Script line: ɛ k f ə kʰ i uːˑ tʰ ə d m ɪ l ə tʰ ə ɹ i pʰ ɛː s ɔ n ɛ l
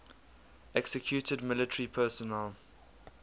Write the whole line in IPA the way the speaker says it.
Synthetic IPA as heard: ɛ k s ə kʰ j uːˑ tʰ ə d m ɪ l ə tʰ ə ɹ i pʰ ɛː s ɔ n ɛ l